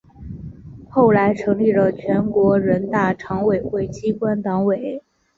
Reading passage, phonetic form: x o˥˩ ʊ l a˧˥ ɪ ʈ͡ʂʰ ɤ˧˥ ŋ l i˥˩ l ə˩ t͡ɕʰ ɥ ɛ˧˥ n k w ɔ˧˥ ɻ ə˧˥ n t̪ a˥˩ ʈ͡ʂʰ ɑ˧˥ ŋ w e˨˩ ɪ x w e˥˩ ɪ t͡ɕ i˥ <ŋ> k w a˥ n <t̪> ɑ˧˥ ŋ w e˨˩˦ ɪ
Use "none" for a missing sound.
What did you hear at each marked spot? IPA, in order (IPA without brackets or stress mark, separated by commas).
none, t̪